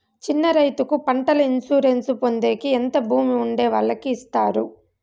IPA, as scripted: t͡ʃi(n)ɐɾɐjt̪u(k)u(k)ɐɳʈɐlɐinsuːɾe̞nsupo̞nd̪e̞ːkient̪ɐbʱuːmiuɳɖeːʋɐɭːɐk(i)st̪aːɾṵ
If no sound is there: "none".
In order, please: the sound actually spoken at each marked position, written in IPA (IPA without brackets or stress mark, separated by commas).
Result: nː, k, p, iː